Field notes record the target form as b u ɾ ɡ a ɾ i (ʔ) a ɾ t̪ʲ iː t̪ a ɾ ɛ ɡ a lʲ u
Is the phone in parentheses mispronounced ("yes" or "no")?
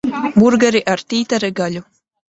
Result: no